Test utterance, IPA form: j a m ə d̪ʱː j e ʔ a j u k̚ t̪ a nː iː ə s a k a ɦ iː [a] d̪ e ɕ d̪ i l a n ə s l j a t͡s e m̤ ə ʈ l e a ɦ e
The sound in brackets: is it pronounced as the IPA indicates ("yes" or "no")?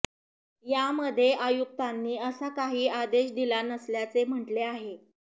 yes